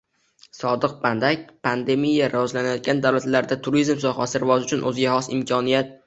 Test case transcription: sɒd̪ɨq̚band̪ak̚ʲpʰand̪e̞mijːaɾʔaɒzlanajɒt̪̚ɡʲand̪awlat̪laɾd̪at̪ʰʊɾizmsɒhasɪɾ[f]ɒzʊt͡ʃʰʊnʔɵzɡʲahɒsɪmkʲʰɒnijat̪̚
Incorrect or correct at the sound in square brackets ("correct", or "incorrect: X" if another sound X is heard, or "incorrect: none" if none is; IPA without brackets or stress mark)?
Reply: incorrect: v